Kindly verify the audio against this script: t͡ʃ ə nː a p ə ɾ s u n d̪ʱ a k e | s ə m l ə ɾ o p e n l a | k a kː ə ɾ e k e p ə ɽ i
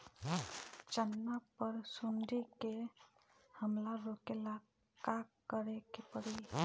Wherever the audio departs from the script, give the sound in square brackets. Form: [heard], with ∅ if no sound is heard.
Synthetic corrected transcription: t͡ʃ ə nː a p ə ɾ s u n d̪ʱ [i] k e | [h] ə m l [a] ɾ o [k] e [∅] l a | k a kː ə ɾ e k e p ə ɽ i